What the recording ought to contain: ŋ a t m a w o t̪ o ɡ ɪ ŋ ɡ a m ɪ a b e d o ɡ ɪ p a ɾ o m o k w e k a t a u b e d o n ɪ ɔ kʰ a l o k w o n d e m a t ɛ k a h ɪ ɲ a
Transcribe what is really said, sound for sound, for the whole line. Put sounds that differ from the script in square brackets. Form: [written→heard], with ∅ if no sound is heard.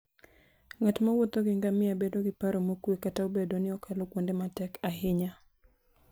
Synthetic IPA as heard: ŋ a t m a w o t̪ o ɡ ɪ ŋ ɡ a m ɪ a b e d o ɡ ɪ p a ɾ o m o k w e k a t a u b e d o n ɪ ɔ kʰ a l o k w o n d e m a t ɛ k a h ɪ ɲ a